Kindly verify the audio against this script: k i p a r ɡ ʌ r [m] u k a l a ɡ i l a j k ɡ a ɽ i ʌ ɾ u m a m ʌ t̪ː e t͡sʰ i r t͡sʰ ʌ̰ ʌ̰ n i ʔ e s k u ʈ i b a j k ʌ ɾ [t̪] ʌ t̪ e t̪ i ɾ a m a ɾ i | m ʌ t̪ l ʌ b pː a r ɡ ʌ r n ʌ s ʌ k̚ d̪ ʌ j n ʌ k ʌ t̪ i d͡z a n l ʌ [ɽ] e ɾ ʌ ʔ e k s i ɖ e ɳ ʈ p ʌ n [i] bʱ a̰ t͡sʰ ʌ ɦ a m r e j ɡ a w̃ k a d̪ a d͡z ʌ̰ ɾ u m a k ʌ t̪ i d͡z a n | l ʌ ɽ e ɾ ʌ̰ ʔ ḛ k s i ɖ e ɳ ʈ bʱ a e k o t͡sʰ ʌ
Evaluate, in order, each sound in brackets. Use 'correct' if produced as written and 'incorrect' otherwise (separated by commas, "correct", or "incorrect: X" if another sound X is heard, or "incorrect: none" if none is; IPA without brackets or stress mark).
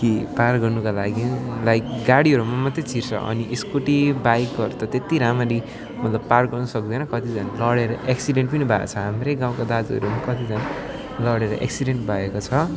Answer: incorrect: n, correct, correct, correct